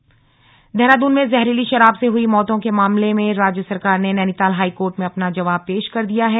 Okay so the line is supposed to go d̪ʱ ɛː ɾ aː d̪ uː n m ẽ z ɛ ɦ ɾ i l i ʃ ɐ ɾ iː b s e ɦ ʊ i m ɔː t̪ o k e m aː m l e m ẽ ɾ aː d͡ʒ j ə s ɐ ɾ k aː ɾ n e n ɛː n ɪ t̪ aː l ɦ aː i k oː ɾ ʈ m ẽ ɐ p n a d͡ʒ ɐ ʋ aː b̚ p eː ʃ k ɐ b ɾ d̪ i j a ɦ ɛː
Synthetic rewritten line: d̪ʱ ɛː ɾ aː d̪ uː n m ẽ z ɛ ɦ ɾ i l i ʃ ɐ ɾ aː b s e ɦ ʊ i m ɔː t̪ õ k e m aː m l e m ẽ ɾ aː d͡ʒ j ə s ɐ ɾ k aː ɾ n e n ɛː n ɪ t̪ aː l ɦ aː i k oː ɾ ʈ m ẽ ɐ p n a d͡ʒ ɐ ʋ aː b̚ p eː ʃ k ɐ ɾ d̪ i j a ɦ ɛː

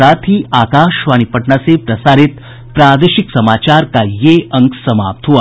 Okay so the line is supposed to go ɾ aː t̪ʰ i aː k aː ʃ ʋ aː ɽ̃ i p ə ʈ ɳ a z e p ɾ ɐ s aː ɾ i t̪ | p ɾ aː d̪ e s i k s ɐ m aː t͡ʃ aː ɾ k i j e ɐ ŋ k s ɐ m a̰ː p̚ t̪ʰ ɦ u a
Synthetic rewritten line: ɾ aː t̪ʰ i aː k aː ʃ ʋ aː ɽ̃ i p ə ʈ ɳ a s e p ɾ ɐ s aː ɾ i t̪ | p ɾ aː d̪ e ʃ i k s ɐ m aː t͡ʃ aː ɾ k a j e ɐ ŋ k s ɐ m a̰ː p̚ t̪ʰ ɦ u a

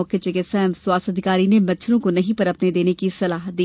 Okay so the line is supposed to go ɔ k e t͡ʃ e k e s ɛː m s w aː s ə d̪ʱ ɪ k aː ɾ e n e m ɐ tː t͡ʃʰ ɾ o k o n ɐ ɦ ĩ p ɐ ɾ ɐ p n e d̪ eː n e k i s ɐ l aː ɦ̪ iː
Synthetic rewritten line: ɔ k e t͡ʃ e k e s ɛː m s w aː s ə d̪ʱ ɪ k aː ɾ i n e m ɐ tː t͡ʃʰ ɾ õ k o n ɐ ɦ ĩ p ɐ ɾ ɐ p n e d̪ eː n e k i s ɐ l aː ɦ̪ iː

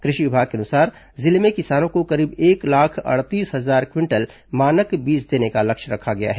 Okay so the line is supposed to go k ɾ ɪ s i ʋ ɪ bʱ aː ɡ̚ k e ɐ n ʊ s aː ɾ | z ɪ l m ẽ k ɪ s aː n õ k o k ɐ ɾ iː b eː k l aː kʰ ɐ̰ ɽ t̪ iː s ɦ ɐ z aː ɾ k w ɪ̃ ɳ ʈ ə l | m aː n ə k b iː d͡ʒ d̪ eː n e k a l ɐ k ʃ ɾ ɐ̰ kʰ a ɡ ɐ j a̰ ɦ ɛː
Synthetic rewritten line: k ɾ ɪ ʃ i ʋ ɪ bʱ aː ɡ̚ k e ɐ n ʊ s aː ɾ | z ɪ l m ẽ k ɪ s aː n õ k o k ɐ ɾ iː b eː k l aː kʰ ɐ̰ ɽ t̪ iː s ɦ ɐ z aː ɾ k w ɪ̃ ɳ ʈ ə l | m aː n ə k b iː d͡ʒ d̪ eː n e k a l ɐ k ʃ ɾ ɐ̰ kʰ a ɡ ɐ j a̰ ɦ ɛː

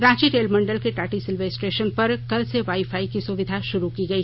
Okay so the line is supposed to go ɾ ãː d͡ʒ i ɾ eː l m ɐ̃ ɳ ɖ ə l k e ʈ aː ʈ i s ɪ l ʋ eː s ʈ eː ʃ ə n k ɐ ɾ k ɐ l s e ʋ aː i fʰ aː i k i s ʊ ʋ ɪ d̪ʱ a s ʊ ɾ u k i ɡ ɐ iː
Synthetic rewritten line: ɾ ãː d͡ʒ i ɾ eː l m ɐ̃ ɳ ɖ ə l k e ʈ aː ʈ i s ɪ l ʋ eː s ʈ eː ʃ ə n p ɐ ɾ k ɐ l s e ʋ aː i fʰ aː i k i s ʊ ʋ ɪ d̪ʱ a ʃ ʊ ɾ u k i ɡ ɐ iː

